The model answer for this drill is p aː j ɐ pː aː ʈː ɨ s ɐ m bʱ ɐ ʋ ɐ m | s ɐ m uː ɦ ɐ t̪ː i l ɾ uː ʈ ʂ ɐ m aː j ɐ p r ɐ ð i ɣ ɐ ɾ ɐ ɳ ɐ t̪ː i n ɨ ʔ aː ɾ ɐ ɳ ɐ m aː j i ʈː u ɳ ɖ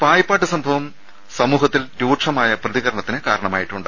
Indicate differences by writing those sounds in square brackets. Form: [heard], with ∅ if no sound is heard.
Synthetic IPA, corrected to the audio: p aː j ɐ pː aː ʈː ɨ s ɐ m bʱ ɐ ʋ ɐ m | s ɐ m uː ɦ ɐ t̪ː i l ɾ uː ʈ ʂ ɐ m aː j ɐ p r ɐ ð i ɣ ɐ ɾ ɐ ɳ ɐ t̪ː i n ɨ [k] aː ɾ ɐ ɳ ɐ m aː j i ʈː u ɳ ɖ

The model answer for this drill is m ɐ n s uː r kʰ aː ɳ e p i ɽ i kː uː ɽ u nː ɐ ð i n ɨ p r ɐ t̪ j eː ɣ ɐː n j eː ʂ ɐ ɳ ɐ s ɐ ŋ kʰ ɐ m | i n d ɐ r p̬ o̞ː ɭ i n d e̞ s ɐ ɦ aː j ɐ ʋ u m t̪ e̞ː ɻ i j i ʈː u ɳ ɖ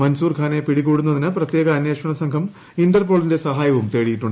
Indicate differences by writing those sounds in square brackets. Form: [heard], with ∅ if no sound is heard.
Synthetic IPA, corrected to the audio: m ɐ n s uː r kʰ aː [n] e p i ɽ i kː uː ɽ u nː ɐ ð i n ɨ p r ɐ t̪ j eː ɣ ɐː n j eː ʂ ɐ ɳ ɐ s ɐ ŋ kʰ ɐ m | i n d ɐ r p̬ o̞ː ɭ i n d e̞ s ɐ ɦ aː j ɐ ʋ u m t̪ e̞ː ɻ i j i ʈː u ɳ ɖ

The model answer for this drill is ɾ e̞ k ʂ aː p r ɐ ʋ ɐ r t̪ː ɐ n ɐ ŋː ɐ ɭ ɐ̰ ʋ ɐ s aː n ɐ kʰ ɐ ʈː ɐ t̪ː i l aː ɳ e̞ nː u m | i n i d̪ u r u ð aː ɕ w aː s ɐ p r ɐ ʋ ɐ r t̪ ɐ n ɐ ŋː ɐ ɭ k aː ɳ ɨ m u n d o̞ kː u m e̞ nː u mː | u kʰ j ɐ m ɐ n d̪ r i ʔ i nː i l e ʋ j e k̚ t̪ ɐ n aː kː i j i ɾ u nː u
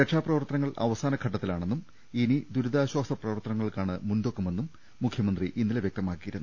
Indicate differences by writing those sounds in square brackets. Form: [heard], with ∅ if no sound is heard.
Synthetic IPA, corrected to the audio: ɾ e̞ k ʂ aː p r ɐ ʋ ɐ r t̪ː ɐ n ɐ ŋː ɐ ɭ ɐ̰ ʋ ɐ s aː n ɐ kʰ ɐ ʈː ɐ t̪ː i l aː ɳ e̞ nː u m | i n i d̪ u [ɾ] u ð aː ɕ w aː s ɐ p r ɐ ʋ ɐ r t̪ ɐ n ɐ ŋː ɐ ɭ k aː ɳ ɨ m u n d o̞ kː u m e̞ nː u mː | u kʰ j ɐ m ɐ n d̪ r i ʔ i nː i l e ʋ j e k̚ t̪ ɐ [m] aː kː i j i ɾ u nː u

